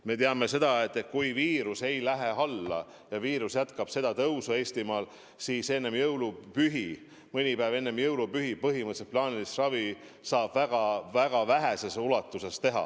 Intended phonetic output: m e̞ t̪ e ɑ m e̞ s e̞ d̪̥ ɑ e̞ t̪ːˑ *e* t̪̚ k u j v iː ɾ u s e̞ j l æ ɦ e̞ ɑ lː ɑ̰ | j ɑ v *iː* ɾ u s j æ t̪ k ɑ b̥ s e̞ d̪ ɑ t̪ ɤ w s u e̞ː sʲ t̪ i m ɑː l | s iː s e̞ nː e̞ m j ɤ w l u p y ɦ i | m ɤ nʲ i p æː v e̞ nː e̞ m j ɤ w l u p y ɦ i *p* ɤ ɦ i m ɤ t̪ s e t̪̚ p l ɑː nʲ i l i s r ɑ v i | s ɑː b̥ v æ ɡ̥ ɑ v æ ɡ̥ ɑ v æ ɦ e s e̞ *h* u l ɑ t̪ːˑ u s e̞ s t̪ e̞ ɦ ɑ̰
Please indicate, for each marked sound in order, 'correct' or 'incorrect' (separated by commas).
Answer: correct, correct, correct, incorrect